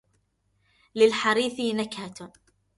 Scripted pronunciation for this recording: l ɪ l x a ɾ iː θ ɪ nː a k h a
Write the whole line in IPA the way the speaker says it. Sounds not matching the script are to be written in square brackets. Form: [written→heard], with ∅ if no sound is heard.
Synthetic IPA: l ɪ l [x→ħ] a ɾ iː θ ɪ [nː→n] a k h a